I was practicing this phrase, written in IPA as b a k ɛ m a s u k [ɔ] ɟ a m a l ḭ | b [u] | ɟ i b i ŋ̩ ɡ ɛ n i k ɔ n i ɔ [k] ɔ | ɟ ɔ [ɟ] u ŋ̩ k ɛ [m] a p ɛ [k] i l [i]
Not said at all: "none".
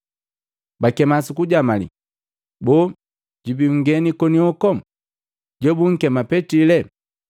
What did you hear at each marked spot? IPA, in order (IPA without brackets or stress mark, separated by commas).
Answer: u, ɔ, k, b, m, t, ɛ